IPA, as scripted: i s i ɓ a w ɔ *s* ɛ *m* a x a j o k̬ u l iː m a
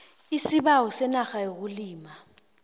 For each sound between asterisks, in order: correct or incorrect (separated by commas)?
correct, incorrect